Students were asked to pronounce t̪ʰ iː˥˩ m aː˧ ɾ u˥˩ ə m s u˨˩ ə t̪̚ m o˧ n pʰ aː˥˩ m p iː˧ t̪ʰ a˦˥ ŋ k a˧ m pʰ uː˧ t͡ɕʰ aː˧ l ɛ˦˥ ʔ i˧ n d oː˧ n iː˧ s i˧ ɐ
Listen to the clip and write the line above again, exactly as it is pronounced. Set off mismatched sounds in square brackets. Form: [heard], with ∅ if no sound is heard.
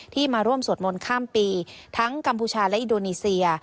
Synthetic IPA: t̪ʰ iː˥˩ m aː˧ ɾ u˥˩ ə m s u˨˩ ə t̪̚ m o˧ n [kʰ] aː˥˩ m p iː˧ t̪ʰ a˦˥ ŋ k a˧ m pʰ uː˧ t͡ɕʰ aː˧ l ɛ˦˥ ʔ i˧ n d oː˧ n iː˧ s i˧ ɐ